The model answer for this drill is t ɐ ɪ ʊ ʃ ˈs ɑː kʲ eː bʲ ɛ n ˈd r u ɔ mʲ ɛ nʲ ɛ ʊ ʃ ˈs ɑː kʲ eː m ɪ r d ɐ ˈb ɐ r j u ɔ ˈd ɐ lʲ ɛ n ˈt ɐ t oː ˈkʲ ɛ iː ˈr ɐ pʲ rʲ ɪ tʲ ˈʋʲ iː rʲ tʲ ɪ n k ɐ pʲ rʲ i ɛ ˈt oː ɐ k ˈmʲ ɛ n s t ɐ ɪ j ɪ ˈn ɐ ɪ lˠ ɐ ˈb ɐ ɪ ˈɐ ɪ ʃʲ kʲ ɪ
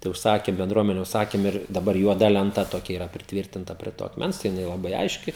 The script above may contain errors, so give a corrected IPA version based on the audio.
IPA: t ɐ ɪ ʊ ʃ ˈs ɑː kʲ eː bʲ ɛ n ˈd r u ɔ mʲ ɛ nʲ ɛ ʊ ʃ ˈs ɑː kʲ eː m ɪ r d ɐ ˈb ɐ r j u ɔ ˈd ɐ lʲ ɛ n ˈt ɐ t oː ˈkʲ ɛ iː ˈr ɐ pʲ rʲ ɪ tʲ ˈʋʲ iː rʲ tʲ ɪ n t ɐ pʲ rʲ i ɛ ˈt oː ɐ k ˈmʲ ɛ n s t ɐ ɪ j ɪ ˈn ɐ ɪ lˠ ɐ ˈb ɐ ɪ ˈɐ ɪ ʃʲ kʲ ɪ